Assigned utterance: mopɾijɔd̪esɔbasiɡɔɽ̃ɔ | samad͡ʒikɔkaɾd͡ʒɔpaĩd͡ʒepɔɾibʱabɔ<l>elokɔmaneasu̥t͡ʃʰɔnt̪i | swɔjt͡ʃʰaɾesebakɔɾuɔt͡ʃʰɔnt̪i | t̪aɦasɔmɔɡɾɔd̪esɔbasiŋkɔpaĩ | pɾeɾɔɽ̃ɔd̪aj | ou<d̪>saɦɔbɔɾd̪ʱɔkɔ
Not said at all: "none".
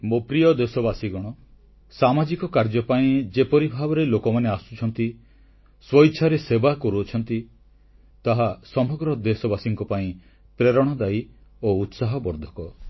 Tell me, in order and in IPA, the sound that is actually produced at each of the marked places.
ɾ, t̪

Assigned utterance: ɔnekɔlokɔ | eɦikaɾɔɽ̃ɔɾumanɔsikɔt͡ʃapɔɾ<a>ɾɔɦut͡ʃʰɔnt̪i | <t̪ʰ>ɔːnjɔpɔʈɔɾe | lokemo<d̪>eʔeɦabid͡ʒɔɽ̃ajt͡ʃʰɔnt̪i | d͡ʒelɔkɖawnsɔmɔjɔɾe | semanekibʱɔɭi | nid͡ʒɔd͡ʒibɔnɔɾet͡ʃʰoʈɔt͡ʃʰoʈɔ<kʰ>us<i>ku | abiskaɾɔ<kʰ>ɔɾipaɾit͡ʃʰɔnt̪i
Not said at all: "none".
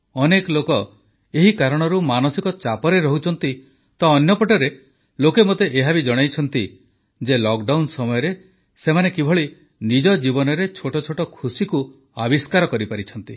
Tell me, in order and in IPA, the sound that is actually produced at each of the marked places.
e, t̪, t̪, kʰ, i, k

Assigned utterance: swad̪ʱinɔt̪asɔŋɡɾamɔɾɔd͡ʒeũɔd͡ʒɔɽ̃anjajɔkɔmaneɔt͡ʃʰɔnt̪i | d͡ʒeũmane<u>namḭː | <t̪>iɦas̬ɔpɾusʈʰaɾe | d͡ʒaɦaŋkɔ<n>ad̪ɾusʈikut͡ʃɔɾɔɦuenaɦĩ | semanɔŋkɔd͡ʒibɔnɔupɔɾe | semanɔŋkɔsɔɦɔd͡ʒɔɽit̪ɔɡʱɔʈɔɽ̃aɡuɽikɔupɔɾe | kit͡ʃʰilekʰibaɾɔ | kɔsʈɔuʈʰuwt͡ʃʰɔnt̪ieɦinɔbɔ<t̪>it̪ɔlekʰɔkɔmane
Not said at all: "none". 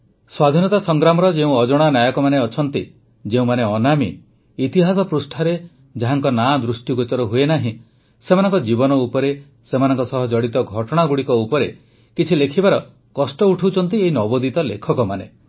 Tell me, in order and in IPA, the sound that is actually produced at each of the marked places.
ɔ, t̪, n, d̪

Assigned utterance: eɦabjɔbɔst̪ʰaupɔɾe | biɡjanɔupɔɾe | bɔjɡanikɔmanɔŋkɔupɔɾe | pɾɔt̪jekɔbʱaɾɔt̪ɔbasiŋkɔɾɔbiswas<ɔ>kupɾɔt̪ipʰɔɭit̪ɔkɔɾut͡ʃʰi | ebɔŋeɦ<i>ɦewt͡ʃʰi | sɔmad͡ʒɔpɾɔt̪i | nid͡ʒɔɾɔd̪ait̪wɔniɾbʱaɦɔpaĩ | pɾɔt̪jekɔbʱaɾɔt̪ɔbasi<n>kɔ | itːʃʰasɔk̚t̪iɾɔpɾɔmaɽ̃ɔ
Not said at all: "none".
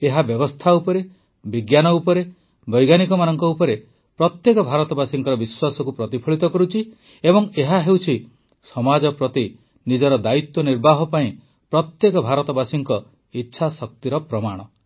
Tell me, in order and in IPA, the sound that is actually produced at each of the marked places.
ɔ, a, ŋ

